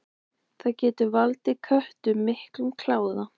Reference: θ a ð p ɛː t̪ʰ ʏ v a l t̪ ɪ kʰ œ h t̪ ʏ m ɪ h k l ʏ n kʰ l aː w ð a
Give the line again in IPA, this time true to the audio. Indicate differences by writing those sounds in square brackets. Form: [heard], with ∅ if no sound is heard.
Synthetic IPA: θ a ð [c] ɛː [t̪] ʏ v a l t̪ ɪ kʰ œ h t̪ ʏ m ɪ h k l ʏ [m] kʰ l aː w ð a